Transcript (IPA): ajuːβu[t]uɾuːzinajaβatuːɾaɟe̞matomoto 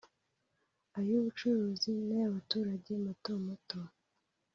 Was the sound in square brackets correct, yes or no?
no